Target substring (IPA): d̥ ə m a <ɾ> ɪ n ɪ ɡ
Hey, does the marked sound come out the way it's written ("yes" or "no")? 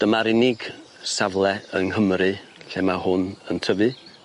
yes